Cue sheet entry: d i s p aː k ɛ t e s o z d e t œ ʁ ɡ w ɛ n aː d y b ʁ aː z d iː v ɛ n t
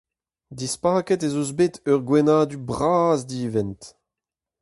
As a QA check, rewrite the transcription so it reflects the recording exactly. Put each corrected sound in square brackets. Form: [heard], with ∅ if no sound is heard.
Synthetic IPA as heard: d i s p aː k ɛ t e [z] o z [b] e t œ ʁ ɡ w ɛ n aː d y b ʁ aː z d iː v ɛ n t